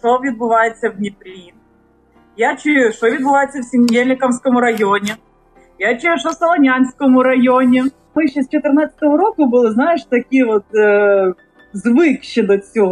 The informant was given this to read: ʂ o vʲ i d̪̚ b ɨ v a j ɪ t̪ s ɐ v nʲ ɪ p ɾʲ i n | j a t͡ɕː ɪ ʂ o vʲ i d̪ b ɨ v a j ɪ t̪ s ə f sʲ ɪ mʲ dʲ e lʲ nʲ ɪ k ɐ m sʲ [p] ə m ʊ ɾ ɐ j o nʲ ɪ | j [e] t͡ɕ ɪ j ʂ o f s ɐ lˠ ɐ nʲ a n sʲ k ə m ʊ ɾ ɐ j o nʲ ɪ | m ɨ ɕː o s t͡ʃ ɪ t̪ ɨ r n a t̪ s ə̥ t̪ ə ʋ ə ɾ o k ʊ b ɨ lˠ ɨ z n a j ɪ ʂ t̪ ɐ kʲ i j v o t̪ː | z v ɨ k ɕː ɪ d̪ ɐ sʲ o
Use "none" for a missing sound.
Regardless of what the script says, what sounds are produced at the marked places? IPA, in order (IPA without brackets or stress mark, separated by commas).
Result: k, a